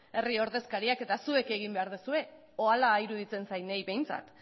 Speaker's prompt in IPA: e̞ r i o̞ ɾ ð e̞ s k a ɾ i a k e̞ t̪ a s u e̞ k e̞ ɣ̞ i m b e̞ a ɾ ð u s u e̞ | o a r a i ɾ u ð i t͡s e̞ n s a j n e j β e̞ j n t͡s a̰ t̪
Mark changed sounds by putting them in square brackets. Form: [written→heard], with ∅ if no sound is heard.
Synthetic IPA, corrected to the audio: e̞ r i o̞ ɾ ð e̞ s k a ɾ i a k e̞ t̪ a s u e̞ k e̞ ɣ̞ i m b e̞ a ɾ ð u s u e̞ | o a [r→l] a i ɾ u ð i t͡s e̞ n s a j n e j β e̞ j n t͡s a̰ t̪

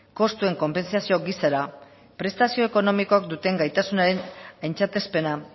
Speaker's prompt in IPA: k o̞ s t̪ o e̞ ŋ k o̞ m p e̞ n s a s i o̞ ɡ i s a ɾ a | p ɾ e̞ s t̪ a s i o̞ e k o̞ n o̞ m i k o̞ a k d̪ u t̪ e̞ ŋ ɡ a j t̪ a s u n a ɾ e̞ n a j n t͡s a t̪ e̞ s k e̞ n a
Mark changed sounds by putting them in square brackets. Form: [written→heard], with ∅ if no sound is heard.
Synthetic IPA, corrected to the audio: k o̞ s t̪ [o→u] e̞ ŋ k o̞ m p e̞ n s a s i o̞ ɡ i s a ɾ a | p ɾ e̞ s t̪ a s i o̞ e k o̞ n o̞ m i k o̞ a k d̪ u t̪ e̞ ŋ ɡ a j t̪ a s u n a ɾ e̞ n a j n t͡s a t̪ e̞ s [k→p] e̞ n a

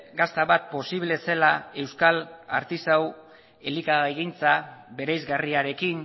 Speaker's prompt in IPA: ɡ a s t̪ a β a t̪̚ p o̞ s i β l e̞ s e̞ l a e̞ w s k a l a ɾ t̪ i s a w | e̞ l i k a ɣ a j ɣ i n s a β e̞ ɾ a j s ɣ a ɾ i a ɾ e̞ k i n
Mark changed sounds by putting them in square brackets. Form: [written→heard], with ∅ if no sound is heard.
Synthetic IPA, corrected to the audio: ɡ a s t̪ a β a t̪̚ p o̞ s i β l e̞ s e̞ l a e̞ w s k a l a ɾ t̪ i s a w | e̞ l i k a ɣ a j ɣ i n [s→t͡s] a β e̞ ɾ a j [s→z] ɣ a [ɾ→r] i a ɾ e̞ k i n

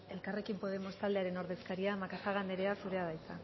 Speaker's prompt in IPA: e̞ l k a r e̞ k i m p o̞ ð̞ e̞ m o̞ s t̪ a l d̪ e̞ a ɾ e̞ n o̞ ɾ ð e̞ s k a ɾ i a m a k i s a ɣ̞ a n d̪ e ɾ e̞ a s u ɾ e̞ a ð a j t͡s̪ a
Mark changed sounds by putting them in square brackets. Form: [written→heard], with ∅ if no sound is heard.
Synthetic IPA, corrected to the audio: e̞ l k a r e̞ k i m p o̞ ð̞ e̞ m o̞ s t̪ a l d̪ e̞ a ɾ e̞ n o̞ ɾ ð e̞ s k a ɾ i a m a k [i→a] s a ɣ̞ a n d̪ e ɾ e̞ a s u ɾ e̞ a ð a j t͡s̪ a

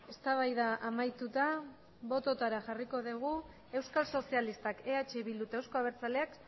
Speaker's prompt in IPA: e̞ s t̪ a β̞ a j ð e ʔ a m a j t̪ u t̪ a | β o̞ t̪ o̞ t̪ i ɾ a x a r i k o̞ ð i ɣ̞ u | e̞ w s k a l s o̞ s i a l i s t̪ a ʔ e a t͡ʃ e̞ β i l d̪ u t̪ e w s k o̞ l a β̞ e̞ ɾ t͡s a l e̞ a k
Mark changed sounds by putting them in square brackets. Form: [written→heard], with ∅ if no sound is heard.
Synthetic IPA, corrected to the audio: e̞ s t̪ a β̞ a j ð [e→a] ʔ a m a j t̪ u t̪ a | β o̞ t̪ o̞ t̪ [i→a] ɾ a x a r i k o̞ ð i ɣ̞ u | e̞ w s k a l s o̞ s i a l i s t̪ a [ʔ→k] e a t͡ʃ e̞ β i l d̪ u t̪ e w s k o̞ [l→∅] a β̞ e̞ ɾ t͡s a l e̞ a k

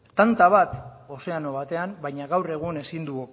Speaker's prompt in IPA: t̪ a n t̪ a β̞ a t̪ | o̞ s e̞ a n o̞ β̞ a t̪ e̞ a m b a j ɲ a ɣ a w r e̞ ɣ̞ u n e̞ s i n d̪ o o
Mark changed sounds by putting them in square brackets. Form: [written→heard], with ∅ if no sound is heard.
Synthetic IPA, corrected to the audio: t̪ a n t̪ a β̞ a t̪ | o̞ s e̞ a n o̞ β̞ a t̪ e̞ a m b a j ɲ a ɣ a w r e̞ ɣ̞ u n e̞ s i n d̪ [o→u] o

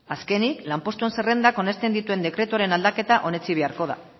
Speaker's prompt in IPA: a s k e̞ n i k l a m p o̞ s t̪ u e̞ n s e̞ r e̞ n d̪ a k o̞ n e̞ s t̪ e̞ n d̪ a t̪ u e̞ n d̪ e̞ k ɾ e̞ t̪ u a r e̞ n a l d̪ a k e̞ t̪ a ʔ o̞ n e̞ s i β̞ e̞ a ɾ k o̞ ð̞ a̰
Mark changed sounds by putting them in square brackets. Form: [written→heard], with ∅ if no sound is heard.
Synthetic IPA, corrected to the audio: a s k e̞ n i k l a m p o̞ s t̪ u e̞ n s e̞ r e̞ n d̪ a k o̞ n e̞ s t̪ e̞ n d̪ [a→i] t̪ u e̞ n d̪ e̞ k ɾ e̞ t̪ u a [r→ɾ] e̞ n a l d̪ a k e̞ t̪ a ʔ o̞ n e̞ [s→t͡s] i β̞ e̞ a ɾ k o̞ ð̞ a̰

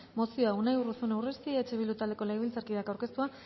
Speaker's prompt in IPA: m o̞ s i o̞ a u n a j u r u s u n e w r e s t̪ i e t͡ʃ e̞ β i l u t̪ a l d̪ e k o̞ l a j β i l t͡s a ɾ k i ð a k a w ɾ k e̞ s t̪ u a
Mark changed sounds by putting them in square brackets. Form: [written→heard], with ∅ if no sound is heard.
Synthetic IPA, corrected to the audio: m o̞ s i o̞ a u n a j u r u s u n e w r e s t̪ i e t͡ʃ e̞ β i l u t̪ a l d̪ e k o̞ l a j β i l t͡s a ɾ k i ð a k a w ɾ k e̞ s t̪ u a

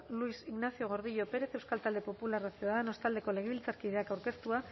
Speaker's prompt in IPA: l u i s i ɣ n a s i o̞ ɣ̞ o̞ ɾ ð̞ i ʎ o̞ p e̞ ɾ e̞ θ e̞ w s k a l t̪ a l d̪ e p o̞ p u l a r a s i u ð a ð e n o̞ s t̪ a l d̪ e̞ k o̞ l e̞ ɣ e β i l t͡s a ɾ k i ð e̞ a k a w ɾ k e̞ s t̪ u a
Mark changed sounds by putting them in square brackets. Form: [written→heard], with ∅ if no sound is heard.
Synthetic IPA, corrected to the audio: l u i s i ɣ n a s i o̞ ɣ̞ o̞ ɾ ð̞ i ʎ o̞ p e̞ ɾ e̞ θ e̞ w s k a l t̪ a l d̪ e p o̞ p u l a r a s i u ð a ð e n o̞ s t̪ a l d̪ e̞ k o̞ l e̞ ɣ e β i l t͡s a ɾ k i ð e̞ a k a w ɾ k e̞ s t̪ u a

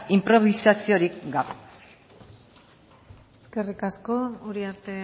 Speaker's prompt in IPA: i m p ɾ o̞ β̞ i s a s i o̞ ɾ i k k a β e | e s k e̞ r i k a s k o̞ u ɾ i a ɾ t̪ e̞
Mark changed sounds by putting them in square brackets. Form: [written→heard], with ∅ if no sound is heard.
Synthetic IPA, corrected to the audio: i m p ɾ o̞ β̞ i s a s i o̞ ɾ i k [k→ɡ] a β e | e s k e̞ r i k a s k o̞ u ɾ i a ɾ t̪ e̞

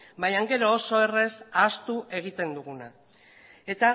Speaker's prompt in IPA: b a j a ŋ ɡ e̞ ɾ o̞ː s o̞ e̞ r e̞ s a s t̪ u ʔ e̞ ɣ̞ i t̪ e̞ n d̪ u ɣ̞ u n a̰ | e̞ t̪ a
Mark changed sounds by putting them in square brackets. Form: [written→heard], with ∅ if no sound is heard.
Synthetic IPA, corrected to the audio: b a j a ŋ ɡ e̞ ɾ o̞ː s o̞ e̞ r e̞ s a s t̪ u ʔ e̞ ɣ̞ i t̪ e̞ n d̪ u ɣ̞ u n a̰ | e̞ t̪ a

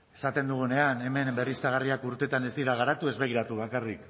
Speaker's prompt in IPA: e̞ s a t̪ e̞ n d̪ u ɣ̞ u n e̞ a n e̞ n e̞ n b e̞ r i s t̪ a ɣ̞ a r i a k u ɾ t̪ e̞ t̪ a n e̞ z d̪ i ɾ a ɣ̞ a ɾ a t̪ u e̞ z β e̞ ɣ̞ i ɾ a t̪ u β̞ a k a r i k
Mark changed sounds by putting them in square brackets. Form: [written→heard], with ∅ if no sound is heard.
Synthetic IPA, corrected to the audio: e̞ s a t̪ e̞ n d̪ u ɣ̞ u n e̞ a n e̞ [n→m] e̞ n b e̞ r i s t̪ a ɣ̞ a r i a k u ɾ t̪ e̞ t̪ a n e̞ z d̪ i ɾ a ɣ̞ a ɾ a t̪ u e̞ z β e̞ ɣ̞ i ɾ a t̪ u β̞ a k a r i k

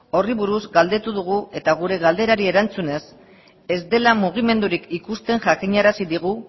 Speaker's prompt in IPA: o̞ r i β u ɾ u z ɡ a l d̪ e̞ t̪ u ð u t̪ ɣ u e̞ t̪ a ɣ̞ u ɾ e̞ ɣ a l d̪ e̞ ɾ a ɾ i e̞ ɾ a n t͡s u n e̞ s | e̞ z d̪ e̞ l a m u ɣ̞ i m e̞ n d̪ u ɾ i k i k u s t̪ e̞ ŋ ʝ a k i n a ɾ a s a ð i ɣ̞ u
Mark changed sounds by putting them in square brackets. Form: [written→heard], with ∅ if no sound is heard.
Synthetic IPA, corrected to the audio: o̞ r i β u ɾ u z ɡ a l d̪ e̞ t̪ u ð u [t̪→∅] ɣ u e̞ t̪ a ɣ̞ u ɾ e̞ ɣ a l d̪ e̞ ɾ a ɾ i e̞ ɾ a n t͡s u n e̞ s | e̞ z d̪ e̞ l a m u ɣ̞ i m e̞ n d̪ u ɾ i k i k u s t̪ e̞ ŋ ʝ a k i [n→ɲ] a ɾ a s [a→i] ð i ɣ̞ u

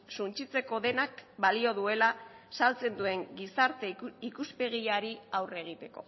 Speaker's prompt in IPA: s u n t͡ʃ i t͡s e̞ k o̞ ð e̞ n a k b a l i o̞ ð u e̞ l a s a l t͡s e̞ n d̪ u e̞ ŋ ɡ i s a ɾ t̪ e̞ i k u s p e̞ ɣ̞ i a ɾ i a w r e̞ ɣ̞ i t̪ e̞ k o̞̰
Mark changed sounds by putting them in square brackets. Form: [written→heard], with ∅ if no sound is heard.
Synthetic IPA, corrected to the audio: s u n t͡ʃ i t͡s e̞ k o̞ ð e̞ n a k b a l i o̞ ð u e̞ l a s a l t͡s e̞ n d̪ u e̞ ŋ ɡ i s a ɾ t̪ e̞ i k u s p e̞ ɣ̞ i a ɾ i a w r e̞ ɣ̞ i t̪ e̞ k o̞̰

